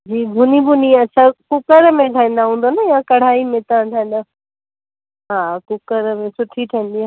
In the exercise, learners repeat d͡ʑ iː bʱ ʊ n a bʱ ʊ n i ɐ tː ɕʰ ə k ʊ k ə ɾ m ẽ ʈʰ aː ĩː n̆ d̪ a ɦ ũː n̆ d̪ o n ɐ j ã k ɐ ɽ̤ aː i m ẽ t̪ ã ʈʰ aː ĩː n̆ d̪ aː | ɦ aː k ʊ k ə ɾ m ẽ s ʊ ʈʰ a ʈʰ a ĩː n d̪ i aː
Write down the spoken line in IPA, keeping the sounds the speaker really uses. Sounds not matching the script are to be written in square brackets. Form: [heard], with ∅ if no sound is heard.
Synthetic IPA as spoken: d͡ʑ iː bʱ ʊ n [i] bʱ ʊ n i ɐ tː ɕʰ [a] k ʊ k ə ɾ m ẽ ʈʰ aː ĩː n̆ d̪ a ɦ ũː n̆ d̪ o n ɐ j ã k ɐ ɽ̤ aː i m ẽ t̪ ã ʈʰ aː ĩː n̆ d̪ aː | ɦ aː k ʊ k ə ɾ m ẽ s ʊ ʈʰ [i] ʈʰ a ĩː n d̪ i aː